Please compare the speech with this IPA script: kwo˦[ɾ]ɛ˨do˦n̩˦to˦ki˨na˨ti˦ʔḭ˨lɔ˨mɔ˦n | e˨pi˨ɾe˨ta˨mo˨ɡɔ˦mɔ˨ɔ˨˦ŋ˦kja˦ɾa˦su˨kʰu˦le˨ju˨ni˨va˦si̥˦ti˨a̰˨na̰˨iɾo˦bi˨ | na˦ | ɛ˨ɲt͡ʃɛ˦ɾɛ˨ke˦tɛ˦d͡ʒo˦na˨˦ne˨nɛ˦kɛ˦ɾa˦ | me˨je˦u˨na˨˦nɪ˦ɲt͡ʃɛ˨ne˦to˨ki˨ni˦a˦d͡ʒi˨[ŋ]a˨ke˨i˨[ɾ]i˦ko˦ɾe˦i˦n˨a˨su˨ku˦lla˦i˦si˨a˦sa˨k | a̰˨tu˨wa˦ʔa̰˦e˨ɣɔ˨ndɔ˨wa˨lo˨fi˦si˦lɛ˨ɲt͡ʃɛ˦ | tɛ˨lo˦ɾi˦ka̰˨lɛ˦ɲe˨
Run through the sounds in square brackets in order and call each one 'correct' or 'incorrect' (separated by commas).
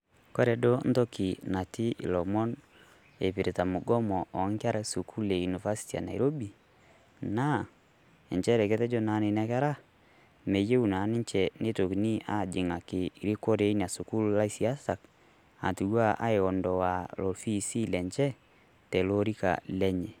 correct, correct, correct